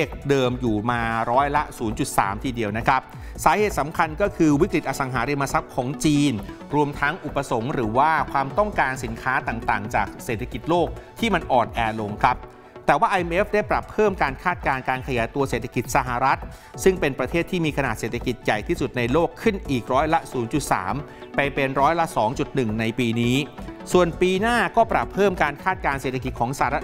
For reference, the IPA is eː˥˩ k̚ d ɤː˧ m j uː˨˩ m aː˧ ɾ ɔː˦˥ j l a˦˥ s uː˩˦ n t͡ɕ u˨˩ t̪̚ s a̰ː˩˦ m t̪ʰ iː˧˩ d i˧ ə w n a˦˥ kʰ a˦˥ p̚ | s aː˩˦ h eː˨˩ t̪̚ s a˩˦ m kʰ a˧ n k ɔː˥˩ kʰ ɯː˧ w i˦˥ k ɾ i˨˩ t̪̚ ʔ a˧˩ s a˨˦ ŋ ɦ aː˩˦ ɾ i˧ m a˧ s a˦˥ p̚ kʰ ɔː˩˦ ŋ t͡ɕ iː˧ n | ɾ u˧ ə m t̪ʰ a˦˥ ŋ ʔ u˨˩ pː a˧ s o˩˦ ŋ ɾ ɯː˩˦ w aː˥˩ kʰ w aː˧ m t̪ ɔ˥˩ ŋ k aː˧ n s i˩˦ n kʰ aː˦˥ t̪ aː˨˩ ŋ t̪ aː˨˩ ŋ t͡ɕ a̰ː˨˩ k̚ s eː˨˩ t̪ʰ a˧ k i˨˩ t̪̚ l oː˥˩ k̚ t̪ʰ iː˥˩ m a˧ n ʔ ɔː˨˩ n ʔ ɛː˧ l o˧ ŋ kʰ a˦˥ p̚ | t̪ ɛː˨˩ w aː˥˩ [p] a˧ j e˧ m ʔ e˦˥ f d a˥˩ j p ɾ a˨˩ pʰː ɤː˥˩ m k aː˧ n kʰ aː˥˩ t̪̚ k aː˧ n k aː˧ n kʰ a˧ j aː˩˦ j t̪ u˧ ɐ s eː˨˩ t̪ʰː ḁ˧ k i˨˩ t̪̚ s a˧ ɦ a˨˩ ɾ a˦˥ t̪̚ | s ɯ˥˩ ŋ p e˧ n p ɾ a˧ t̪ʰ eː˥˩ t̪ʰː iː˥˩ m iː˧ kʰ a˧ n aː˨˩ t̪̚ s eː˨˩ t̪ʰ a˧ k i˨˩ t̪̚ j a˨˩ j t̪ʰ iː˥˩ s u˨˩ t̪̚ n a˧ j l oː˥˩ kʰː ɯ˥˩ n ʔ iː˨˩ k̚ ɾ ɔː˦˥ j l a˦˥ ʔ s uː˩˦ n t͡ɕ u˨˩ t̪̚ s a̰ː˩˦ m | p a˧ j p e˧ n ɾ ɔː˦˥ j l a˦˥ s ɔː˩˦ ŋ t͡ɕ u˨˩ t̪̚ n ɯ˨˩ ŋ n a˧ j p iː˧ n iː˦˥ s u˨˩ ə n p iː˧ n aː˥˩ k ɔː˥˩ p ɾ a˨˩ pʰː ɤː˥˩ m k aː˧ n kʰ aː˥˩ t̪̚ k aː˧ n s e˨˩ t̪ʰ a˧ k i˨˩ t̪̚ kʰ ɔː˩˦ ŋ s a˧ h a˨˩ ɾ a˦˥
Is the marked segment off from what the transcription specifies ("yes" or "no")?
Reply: yes